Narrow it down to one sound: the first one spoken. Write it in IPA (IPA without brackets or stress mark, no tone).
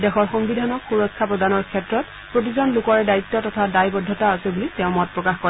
d